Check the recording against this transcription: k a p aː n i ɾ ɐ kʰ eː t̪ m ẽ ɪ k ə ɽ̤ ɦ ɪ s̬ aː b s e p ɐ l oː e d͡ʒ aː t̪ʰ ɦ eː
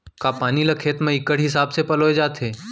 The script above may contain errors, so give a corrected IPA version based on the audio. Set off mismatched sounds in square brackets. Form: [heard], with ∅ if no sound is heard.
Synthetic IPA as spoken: k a p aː n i [l] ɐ kʰ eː t̪ m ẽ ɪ k ə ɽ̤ ɦ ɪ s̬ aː b s e p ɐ l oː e d͡ʒ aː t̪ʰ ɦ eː